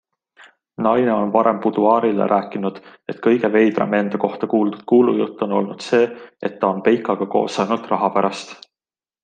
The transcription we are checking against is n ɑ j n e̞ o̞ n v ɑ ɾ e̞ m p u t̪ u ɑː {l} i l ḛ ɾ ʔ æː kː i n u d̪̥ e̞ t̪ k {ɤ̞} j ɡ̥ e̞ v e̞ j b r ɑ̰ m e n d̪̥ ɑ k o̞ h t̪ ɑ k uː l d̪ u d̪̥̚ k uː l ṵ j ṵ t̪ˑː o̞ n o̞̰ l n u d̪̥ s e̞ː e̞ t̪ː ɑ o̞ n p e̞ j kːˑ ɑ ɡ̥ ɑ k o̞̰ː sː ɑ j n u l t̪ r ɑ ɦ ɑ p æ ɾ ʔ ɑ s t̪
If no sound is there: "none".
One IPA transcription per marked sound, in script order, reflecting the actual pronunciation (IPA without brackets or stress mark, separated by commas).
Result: ɾ, ɤ̞